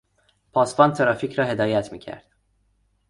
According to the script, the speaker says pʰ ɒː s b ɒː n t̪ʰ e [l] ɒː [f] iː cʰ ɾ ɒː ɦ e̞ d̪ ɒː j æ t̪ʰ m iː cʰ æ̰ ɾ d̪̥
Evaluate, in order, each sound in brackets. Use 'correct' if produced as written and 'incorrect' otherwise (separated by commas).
incorrect, correct